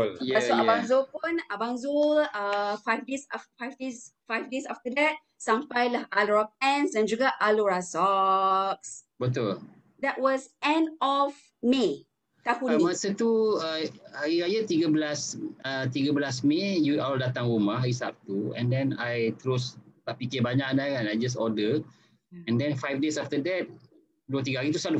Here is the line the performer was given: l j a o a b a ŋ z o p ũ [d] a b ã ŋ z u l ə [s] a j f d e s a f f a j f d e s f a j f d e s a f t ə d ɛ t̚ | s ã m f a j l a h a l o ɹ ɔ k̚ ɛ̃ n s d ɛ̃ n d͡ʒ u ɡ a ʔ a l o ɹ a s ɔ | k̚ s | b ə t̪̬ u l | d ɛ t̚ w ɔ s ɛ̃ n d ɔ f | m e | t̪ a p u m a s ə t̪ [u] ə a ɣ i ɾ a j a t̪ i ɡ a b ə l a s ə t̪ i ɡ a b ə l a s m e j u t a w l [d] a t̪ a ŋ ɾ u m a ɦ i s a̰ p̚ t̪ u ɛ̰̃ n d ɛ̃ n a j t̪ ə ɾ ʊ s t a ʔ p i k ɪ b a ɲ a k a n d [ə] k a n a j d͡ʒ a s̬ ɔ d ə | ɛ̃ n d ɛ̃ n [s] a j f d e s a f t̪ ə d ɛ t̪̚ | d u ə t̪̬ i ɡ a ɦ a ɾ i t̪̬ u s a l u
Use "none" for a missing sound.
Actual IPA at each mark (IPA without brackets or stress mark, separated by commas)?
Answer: n, f, u, d, a, f